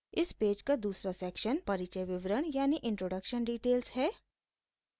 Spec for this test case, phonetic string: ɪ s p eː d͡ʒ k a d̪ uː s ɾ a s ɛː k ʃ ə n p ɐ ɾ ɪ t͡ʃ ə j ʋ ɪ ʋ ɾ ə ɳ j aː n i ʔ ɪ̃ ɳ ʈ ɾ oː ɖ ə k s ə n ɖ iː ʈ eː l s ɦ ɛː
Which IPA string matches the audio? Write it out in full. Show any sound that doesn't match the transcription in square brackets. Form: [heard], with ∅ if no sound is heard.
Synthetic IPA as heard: ɪ s p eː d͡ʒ k a d̪ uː s ɾ a s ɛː k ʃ ə n p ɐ ɾ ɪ t͡ʃ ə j ʋ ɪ ʋ ɾ ə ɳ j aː n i ʔ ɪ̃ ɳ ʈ ɾ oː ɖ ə k [ʃ] ə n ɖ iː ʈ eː l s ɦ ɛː